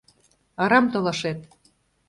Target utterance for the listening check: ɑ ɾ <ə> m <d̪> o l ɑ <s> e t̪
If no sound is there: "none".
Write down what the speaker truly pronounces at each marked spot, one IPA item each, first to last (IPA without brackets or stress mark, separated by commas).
ɑ, t̪, ʃ